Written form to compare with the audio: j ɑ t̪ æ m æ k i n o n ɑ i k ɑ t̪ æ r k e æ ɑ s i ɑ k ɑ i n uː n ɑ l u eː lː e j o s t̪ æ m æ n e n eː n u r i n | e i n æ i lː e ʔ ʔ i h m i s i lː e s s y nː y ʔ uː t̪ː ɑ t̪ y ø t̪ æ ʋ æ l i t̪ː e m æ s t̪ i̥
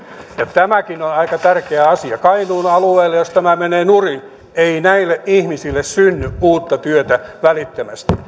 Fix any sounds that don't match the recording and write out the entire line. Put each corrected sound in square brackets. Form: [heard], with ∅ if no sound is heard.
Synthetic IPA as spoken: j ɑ t̪ æ m æ k i n o n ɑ i k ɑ t̪ æ r k e æ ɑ s i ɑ k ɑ i n uː n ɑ l u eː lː e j o s t̪ æ m æ [m] e n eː n u r i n | e i n æ i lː e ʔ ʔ i h m i s i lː e s s y nː y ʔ uː t̪ː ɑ t̪ y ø t̪ æ ʋ æ l i t̪ː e m æ s t̪ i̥